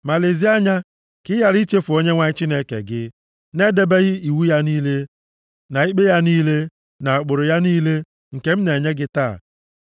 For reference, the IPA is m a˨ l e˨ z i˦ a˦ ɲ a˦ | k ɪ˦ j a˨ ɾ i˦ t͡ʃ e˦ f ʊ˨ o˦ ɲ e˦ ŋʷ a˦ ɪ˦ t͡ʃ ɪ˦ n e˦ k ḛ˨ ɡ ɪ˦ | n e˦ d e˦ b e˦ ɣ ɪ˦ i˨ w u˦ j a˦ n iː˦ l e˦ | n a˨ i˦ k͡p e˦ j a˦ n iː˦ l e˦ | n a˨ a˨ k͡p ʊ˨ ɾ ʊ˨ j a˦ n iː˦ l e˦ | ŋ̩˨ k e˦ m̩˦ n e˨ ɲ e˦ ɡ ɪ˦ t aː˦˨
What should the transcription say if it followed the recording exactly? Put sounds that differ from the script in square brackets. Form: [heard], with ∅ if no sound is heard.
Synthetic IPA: m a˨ l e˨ z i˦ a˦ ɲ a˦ | k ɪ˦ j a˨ ɾ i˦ t͡ʃ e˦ f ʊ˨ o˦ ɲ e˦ ŋʷ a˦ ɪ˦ t͡ʃ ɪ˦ n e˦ k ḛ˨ ɡ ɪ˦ | n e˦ d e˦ b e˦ ɣ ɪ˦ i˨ w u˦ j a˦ n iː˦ l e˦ | n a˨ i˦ k͡p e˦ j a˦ n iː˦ l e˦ | n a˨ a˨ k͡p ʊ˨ ɾ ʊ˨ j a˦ n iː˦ l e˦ | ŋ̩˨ k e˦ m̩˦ n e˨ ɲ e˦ ɡ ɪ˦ t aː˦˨